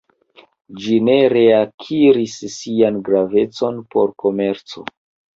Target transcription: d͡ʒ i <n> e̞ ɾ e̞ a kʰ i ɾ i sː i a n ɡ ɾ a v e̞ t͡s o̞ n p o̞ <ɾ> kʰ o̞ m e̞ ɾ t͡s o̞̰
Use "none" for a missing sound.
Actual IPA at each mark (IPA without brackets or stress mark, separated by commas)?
n, ɾ